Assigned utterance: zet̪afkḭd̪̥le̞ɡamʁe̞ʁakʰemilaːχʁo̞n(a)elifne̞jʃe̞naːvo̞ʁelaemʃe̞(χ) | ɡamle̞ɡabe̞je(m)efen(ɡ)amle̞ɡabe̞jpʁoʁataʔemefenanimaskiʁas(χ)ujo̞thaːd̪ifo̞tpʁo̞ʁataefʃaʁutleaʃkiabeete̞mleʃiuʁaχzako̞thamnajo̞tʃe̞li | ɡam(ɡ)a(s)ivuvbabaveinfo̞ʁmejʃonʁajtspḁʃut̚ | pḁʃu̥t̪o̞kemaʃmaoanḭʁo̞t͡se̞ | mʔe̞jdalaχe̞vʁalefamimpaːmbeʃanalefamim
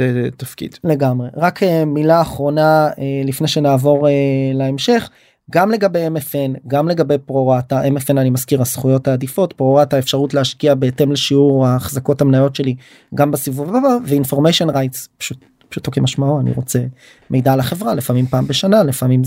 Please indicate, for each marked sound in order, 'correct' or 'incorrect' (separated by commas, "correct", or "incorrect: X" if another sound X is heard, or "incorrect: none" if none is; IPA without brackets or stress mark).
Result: correct, correct, correct, correct, correct, incorrect: b, correct